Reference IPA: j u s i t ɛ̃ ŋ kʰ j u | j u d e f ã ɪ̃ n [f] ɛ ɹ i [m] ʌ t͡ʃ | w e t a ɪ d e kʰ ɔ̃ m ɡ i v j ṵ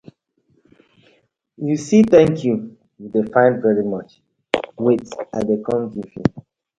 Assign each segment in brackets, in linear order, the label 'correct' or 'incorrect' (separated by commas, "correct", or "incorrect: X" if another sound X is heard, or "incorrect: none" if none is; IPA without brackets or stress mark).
incorrect: v, correct